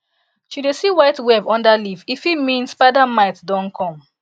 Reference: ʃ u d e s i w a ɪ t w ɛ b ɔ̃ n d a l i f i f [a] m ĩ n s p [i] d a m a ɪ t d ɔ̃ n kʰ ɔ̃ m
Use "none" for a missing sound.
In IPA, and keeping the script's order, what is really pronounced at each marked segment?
i, a

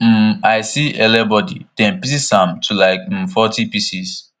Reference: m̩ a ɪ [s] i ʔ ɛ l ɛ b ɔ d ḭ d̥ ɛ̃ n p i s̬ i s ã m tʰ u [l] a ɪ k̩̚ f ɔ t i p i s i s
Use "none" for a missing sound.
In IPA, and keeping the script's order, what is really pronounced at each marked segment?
s, l

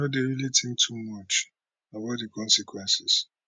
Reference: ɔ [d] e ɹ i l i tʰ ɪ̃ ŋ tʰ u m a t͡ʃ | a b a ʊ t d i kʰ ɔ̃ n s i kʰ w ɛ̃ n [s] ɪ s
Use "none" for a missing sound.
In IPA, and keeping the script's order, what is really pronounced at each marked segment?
d, s

